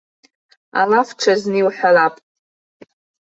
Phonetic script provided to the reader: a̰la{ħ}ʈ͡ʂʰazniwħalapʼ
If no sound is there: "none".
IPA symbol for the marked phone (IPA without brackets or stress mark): f